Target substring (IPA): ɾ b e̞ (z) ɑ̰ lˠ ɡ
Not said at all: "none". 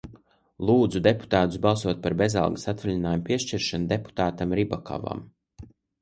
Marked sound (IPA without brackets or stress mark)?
z